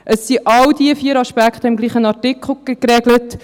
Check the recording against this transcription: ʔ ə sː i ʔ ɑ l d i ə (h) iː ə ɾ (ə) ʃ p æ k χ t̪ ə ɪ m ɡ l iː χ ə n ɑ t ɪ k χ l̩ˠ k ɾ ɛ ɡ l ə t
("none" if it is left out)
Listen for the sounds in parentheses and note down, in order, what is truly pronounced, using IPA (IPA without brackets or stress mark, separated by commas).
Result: f, ɑ